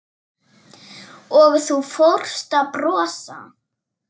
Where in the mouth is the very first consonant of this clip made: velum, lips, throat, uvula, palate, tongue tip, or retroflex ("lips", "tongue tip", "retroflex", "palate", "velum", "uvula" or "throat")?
velum